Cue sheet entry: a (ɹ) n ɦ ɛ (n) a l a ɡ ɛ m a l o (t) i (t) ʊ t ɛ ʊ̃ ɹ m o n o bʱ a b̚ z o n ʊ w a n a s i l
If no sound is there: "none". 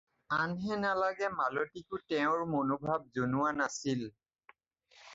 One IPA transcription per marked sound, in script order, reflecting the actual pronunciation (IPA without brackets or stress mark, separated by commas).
none, n, t, k